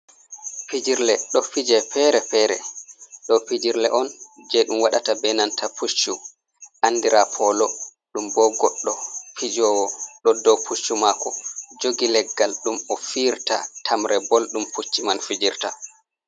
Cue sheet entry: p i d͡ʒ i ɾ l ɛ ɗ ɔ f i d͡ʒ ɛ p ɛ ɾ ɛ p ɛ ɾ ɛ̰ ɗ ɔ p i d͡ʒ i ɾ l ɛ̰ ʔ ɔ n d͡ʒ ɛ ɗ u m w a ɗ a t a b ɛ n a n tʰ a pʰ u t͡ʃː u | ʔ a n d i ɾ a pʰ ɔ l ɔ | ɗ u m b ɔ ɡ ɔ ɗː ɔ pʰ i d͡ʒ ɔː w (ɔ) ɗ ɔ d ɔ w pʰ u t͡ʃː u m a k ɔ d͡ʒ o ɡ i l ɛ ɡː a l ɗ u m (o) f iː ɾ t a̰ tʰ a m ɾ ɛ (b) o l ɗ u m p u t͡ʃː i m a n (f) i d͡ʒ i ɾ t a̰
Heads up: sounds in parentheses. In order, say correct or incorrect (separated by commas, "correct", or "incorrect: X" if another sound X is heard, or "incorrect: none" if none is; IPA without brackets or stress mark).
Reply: correct, incorrect: ɔ, correct, correct